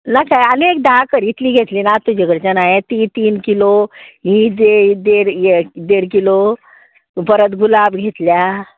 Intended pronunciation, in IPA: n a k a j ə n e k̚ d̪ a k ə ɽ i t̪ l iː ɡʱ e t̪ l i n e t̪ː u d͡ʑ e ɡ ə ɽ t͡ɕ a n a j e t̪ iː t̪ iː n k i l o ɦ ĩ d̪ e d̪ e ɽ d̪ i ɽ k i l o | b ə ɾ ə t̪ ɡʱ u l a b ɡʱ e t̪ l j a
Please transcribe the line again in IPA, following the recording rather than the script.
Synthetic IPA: n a k a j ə n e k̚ d̪ a k ə ɾ i t̪ l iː ɡʱ e t̪ l i n a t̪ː u d͡ʑ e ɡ ə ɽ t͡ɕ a n a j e t̪ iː t̪ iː n k i l o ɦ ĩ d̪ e d̪ e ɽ d̪ e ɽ k i l o | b ə ɾ ə t̪ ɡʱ u l a b ɡʱ e t̪ l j a

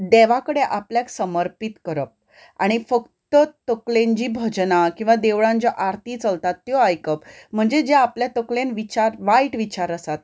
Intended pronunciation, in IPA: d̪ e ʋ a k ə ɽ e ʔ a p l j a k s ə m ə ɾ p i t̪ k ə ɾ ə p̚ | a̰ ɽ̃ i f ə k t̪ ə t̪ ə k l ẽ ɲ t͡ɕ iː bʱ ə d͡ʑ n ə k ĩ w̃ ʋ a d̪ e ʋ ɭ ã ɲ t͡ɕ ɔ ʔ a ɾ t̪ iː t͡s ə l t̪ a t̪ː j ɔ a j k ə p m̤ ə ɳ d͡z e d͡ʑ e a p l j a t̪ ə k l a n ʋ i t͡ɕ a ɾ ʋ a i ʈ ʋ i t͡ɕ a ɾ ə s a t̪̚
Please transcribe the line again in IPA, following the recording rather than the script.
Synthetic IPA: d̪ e ʋ a k ə ɽ e ʔ a p l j a k s ə m ə ɾ p i t̪ k ə ɾ ə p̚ | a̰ ɽ̃ i f ə k t̪ ə t̪ ə k l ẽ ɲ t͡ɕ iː bʱ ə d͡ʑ n a k ĩ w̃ ʋ a d̪ e ʋ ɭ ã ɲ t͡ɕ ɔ ʔ a ɾ t̪ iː t͡s ə l t̪ a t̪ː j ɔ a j k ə p m̤ ə ɳ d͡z e d͡ʑ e a p l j a t̪ ə k l e n ʋ i t͡ɕ a ɾ ʋ a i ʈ ʋ i t͡ɕ a ɾ ə s a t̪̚

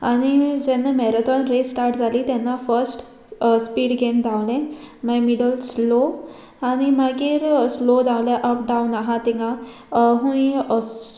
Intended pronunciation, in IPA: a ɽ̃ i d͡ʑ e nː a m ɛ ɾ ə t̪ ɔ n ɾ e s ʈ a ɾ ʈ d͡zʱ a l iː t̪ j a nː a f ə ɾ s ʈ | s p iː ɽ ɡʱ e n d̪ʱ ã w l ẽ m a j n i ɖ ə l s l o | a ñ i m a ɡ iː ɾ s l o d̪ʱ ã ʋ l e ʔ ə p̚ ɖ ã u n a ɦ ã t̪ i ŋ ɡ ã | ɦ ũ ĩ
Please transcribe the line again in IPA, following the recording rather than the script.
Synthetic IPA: a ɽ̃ i d͡ʑ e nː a m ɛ ɾ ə t̪ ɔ n ɾ e s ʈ a ɾ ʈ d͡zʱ a l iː t̪ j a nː a f ə ɾ s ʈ | s p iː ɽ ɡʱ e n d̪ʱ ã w l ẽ m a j m i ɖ ə l s l o | a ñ i m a ɡ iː ɾ s l o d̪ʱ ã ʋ l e ʔ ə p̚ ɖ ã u n a ɦ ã t̪ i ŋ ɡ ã | ɦ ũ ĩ

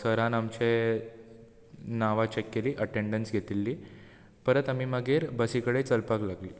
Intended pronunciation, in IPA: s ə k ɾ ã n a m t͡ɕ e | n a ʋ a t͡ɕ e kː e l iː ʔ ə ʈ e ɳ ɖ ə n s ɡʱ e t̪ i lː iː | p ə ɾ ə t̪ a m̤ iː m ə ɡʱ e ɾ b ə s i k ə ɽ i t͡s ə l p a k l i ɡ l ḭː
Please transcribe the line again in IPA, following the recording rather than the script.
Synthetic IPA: s ə ɾ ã n a m t͡ɕ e | n a ʋ a t͡ɕ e kː e l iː ʔ ə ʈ e ɳ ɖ ə n s ɡʱ e t̪ i lː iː | p ə ɾ ə t̪ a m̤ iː m ə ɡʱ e ɾ b ə s i k ə ɽ e t͡s ə l p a k l a ɡ l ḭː

